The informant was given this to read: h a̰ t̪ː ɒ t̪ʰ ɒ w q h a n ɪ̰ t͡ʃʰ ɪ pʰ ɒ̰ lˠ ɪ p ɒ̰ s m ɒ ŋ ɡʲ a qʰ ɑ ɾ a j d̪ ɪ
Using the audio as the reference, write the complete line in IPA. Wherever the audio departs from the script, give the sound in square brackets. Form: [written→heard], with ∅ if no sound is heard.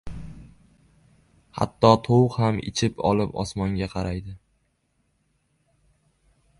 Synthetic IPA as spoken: h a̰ t̪ː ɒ t̪ʰ [ɒ→o] w q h a [n→m] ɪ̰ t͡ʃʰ ɪ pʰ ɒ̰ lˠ ɪ p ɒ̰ s m ɒ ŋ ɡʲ a qʰ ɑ ɾ a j d̪ ɪ